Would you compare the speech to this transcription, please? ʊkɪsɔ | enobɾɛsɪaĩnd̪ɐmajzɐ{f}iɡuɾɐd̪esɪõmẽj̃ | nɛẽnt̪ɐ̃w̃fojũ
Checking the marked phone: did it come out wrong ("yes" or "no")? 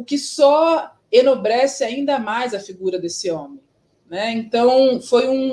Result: no